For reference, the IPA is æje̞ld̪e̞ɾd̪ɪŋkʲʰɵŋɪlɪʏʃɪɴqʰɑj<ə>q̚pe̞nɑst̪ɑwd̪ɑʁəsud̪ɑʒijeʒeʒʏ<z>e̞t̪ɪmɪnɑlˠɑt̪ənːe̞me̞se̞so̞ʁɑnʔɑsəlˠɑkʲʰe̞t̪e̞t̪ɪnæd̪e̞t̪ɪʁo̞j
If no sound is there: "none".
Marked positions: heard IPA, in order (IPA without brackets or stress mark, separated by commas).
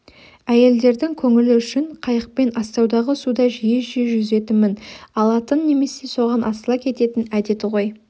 ə, z